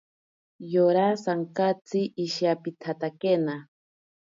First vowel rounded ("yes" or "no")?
yes